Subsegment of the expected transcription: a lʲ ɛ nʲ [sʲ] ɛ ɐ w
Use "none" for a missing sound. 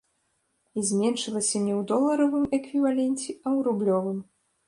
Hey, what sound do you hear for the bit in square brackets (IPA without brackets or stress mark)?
t͡sʲ